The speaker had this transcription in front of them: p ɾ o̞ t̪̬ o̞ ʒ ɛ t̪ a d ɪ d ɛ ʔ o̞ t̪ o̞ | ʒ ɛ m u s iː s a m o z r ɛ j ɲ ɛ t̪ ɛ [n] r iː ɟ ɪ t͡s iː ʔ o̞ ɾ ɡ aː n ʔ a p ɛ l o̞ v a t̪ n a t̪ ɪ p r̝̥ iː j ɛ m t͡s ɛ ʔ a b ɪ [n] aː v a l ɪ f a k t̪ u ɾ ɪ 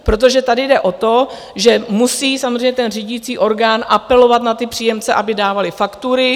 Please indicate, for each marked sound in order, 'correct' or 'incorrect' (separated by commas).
correct, incorrect